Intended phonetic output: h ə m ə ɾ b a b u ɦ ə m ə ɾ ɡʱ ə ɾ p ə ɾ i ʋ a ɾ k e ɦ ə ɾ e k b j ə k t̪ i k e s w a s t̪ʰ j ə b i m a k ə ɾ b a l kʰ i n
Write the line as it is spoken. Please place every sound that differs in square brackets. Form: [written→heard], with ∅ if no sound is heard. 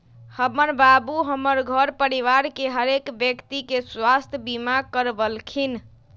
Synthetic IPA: h ə m ə ɾ b a b u ɦ ə m ə ɾ ɡʱ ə ɾ p ə ɾ i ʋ a ɾ k e ɦ ə ɾ e k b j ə k t̪ i k e s w a s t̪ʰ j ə b i m a k ə ɾ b [a→ə] l kʰ i n